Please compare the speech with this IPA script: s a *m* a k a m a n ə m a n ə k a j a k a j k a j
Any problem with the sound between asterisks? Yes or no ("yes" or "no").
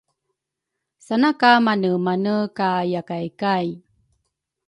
yes